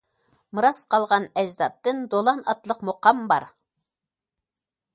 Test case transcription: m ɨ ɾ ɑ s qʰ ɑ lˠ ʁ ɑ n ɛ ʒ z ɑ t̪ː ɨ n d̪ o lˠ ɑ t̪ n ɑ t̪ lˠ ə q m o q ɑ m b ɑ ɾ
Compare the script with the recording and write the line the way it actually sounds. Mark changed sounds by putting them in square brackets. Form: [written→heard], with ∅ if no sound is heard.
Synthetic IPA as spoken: m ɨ ɾ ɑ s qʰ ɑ lˠ ʁ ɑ n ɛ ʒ z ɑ t̪ː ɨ n d̪ o lˠ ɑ [t̪→∅] n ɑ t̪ lˠ ə q m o q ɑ m b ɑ ɾ